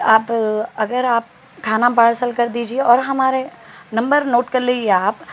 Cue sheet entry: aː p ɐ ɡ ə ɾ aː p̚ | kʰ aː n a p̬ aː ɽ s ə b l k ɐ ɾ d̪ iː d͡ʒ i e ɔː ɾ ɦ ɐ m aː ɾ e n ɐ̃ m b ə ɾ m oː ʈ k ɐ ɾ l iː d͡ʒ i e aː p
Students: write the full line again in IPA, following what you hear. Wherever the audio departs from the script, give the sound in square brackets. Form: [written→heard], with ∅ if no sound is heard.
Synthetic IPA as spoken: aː p ɐ ɡ ə ɾ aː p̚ | kʰ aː n a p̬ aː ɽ s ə [b→∅] l k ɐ ɾ d̪ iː d͡ʒ i e ɔː ɾ ɦ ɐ m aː ɾ e n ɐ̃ m b ə ɾ [m→n] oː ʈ k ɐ ɾ l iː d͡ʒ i e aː p